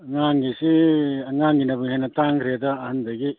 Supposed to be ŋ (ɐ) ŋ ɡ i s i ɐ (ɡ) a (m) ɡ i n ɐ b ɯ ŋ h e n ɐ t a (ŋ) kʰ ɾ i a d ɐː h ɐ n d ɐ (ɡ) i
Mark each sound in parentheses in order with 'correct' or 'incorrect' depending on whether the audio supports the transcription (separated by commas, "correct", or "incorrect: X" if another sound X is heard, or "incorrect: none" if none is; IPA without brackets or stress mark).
incorrect: a, incorrect: ŋ, incorrect: ŋ, correct, correct